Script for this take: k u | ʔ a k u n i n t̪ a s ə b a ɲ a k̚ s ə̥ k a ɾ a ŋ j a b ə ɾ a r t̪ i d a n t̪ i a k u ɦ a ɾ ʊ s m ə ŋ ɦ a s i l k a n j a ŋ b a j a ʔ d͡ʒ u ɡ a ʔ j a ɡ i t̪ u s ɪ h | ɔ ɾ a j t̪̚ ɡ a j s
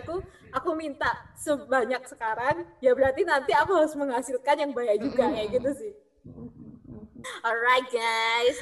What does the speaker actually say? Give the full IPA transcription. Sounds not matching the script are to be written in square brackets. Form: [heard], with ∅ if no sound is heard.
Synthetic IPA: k u | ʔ a k u [m] i n t̪ a s ə b a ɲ a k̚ s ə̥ k a ɾ a ŋ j a b ə ɾ a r t̪ i [n] a n t̪ i a k u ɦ a ɾ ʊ s m ə ŋ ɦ a s i l k a n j a ŋ b a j a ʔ d͡ʒ u ɡ a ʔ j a ɡ i t̪ u s ɪ h | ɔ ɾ a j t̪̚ ɡ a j s